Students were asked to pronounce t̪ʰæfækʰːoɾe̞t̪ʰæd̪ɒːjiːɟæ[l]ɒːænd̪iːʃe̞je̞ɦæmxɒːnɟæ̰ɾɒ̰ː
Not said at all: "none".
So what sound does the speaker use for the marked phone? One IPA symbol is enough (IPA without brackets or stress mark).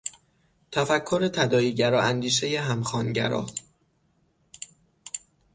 ɾ